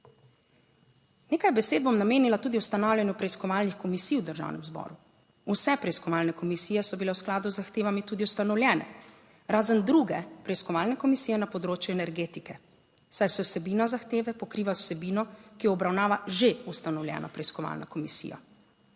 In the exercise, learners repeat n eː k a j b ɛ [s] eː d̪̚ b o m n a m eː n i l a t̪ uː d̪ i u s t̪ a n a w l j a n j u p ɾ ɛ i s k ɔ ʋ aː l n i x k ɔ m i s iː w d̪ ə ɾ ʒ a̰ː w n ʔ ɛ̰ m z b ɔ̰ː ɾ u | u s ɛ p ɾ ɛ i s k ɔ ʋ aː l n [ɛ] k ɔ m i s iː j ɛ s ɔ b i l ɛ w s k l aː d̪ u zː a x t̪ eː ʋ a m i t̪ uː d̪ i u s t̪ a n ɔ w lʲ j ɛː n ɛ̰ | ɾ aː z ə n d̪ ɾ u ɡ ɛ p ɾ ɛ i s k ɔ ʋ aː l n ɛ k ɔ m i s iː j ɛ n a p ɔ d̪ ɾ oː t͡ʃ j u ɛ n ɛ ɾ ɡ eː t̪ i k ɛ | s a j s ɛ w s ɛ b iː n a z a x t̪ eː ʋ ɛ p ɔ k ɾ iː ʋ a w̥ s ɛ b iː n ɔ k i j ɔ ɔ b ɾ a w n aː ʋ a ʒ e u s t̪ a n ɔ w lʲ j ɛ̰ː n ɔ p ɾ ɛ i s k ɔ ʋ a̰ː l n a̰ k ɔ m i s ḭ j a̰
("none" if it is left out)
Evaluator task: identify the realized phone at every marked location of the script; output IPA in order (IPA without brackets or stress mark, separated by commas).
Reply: s, ɛ